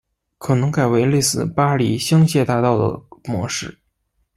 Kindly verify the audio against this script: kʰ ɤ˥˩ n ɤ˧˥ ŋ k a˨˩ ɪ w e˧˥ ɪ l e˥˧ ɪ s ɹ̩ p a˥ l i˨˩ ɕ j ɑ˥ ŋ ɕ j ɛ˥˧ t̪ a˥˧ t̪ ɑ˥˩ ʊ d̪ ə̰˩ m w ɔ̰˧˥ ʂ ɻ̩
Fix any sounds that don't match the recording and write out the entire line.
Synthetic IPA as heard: kʰ ɤ˨˩ n ɤ˧˥ ŋ k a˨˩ ɪ w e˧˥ ɪ l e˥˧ ɪ s ɹ̩ p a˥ l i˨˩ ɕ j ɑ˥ ŋ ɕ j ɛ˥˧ t̪ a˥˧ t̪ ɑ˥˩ ʊ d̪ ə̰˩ m w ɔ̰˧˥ ʂ ɻ̩